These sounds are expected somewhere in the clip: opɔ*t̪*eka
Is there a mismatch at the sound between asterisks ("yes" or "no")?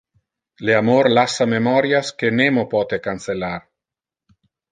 no